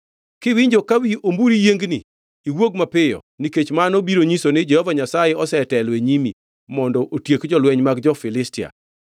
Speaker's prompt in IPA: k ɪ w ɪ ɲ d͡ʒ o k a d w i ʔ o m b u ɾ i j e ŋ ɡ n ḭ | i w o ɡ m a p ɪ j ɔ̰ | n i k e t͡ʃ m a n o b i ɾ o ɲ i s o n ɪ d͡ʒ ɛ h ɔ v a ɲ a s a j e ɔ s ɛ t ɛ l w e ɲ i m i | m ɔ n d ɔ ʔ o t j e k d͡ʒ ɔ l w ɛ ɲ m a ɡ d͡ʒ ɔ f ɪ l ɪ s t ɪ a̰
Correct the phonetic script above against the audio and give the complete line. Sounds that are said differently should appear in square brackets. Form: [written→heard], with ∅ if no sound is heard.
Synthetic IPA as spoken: k ɪ w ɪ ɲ d͡ʒ o k a [d→∅] w i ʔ o m b u ɾ i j e ŋ ɡ n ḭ | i w o ɡ m a p ɪ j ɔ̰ | n i k e t͡ʃ m a n o b i ɾ o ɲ i s o n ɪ d͡ʒ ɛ h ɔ v a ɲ a s a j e ɔ s ɛ t ɛ l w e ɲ i m i | m ɔ n d ɔ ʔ o t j e k d͡ʒ ɔ l w ɛ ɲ m a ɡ d͡ʒ ɔ f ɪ l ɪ s t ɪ a̰